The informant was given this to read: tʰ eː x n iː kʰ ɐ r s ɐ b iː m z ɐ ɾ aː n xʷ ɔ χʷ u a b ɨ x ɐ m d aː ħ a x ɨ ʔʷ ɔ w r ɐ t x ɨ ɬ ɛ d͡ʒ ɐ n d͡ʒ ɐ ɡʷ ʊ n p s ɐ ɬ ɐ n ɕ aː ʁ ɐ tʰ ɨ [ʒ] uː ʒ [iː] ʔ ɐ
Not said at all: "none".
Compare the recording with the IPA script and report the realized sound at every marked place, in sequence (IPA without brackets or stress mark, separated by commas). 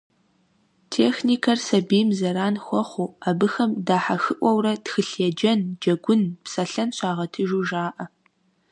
ʒ, aː